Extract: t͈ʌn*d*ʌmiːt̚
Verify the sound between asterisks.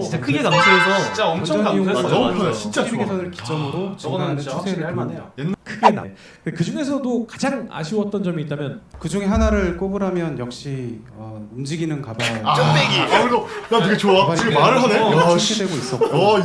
incorrect: d͡ʑ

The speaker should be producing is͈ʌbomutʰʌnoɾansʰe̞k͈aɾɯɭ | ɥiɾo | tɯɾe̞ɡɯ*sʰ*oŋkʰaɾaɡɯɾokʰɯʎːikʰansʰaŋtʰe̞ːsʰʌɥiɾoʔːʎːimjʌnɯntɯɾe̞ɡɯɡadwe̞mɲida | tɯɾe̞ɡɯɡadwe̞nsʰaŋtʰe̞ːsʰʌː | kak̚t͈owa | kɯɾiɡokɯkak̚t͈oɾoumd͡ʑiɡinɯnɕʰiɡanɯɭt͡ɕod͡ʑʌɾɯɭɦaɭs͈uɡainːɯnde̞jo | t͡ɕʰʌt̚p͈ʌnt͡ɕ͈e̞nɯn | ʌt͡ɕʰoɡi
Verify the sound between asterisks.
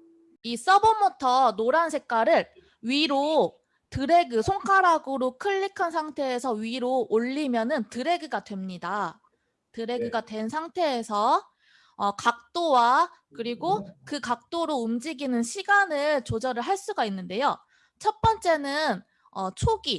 correct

